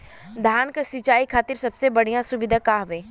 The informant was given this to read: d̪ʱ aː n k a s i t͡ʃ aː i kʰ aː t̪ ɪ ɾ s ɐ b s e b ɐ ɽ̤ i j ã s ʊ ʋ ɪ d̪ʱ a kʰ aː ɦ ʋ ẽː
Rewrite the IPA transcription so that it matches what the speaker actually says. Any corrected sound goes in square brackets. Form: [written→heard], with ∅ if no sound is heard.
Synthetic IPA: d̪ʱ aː n k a s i t͡ʃ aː i kʰ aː t̪ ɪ ɾ s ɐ b s e b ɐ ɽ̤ i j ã s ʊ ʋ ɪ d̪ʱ a [kʰ→k] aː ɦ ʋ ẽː